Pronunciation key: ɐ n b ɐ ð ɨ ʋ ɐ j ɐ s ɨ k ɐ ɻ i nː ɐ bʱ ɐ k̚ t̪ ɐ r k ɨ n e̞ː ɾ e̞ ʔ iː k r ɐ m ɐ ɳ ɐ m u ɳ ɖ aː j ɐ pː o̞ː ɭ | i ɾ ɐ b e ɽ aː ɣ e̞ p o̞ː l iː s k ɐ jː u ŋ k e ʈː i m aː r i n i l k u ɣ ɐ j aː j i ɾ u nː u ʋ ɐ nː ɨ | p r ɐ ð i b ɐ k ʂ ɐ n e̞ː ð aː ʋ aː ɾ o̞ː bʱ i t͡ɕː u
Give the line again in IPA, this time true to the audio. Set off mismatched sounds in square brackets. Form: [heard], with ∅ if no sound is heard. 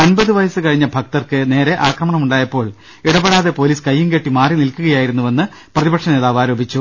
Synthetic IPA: ɐ n b ɐ ð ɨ ʋ ɐ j ɐ s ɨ k ɐ ɻ i [ɲː] ɐ bʱ ɐ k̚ t̪ ɐ r k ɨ n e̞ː ɾ e̞ ʔ [aː] k r ɐ m ɐ ɳ ɐ m u ɳ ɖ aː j ɐ pː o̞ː ɭ | i [ɽ] ɐ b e ɽ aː [ð] e̞ p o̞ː l iː s k ɐ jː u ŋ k e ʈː i m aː r i n i l k u ɣ ɐ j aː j i ɾ u nː u ʋ ɐ nː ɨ | p r ɐ ð i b ɐ k ʂ ɐ n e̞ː ð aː ʋ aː ɾ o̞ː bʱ i t͡ɕː u